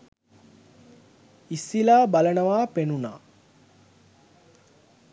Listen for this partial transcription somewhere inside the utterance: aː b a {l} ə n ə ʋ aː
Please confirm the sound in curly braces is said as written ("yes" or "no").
yes